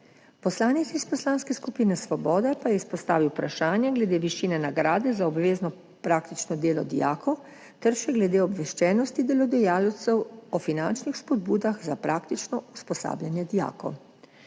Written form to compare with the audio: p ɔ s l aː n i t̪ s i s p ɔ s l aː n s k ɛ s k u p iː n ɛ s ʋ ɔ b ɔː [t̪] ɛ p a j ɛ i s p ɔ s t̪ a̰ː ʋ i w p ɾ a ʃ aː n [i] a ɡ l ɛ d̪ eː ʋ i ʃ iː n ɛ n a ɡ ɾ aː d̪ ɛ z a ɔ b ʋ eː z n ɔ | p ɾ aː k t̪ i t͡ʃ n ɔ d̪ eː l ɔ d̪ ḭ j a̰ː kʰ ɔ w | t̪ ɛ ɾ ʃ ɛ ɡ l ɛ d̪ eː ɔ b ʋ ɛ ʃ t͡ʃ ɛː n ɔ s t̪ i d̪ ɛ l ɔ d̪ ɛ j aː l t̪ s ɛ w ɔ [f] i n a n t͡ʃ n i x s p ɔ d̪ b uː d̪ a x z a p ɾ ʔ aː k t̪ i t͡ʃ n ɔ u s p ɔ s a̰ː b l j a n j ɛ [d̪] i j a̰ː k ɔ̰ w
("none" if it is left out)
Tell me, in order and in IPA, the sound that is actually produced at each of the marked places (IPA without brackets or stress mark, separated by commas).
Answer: d̪, j, f, d̪